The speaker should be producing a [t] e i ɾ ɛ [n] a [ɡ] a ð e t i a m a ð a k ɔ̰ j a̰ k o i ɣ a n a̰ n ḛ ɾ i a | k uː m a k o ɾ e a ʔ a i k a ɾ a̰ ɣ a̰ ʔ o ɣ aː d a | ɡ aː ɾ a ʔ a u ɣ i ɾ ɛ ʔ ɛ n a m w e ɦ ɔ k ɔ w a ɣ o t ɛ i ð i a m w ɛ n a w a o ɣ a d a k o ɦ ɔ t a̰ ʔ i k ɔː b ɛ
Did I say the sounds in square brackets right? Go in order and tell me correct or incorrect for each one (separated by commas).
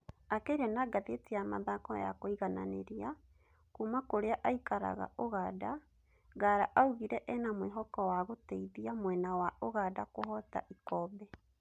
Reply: incorrect, correct, correct